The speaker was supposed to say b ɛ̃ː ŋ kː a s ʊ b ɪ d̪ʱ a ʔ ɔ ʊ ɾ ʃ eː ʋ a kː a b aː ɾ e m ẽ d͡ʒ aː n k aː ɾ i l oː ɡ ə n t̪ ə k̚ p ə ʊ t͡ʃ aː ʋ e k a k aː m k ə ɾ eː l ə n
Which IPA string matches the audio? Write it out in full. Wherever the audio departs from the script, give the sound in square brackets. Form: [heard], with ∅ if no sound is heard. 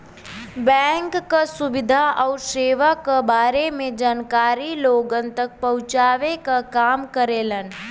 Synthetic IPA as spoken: b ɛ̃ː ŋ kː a s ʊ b ɪ d̪ʱ a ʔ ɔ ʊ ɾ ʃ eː ʋ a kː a b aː ɾ e m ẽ d͡ʒ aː n k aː ɾ i l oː ɡ ə n t̪ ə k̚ p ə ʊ t͡ʃ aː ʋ e k a k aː m k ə ɾ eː l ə n